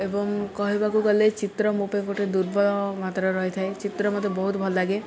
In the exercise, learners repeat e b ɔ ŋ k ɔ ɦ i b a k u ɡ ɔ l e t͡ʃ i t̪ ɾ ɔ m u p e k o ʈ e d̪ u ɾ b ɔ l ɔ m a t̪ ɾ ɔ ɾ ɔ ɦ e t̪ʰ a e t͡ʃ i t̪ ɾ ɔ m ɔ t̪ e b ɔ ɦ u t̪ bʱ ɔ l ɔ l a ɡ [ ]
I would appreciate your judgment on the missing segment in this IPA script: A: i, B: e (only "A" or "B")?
B